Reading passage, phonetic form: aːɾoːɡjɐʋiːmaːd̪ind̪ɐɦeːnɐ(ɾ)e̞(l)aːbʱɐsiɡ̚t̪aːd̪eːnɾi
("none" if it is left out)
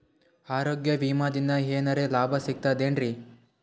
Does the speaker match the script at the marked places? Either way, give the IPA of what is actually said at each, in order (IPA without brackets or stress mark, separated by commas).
ɾ, l